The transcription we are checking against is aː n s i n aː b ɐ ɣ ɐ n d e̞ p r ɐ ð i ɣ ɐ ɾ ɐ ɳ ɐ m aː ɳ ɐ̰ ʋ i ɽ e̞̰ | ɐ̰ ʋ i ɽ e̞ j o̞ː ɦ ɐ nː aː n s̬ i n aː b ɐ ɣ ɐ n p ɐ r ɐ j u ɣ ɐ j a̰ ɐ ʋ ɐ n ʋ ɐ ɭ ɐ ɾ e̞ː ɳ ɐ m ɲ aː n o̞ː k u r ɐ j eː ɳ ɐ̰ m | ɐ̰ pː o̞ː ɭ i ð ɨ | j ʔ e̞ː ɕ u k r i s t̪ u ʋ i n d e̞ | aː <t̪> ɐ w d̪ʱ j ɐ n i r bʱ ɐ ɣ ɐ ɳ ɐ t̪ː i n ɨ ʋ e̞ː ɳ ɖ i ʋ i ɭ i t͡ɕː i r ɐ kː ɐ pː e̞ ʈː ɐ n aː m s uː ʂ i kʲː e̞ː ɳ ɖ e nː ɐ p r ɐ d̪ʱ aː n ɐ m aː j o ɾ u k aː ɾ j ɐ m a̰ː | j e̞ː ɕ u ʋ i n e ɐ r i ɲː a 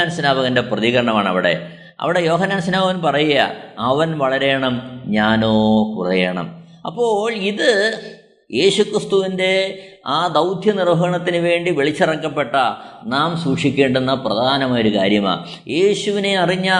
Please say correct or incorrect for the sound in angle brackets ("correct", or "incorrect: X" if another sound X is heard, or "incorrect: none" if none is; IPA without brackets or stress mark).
incorrect: d̪